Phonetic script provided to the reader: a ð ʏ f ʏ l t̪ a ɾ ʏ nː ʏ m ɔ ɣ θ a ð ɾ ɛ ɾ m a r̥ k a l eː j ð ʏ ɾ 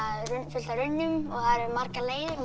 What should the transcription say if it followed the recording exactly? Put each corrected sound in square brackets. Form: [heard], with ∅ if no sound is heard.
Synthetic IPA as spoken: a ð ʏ f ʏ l t̪ a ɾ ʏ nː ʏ m ɔ ɣ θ a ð ɾ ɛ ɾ m a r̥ k a l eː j ð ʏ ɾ